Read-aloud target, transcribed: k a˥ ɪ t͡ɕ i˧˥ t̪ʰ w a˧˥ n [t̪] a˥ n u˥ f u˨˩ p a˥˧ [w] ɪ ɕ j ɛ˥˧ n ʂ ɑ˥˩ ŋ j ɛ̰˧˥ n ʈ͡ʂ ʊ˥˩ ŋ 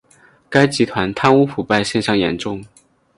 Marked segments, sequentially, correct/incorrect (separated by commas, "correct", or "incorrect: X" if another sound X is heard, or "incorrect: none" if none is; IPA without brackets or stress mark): incorrect: t̪ʰ, incorrect: none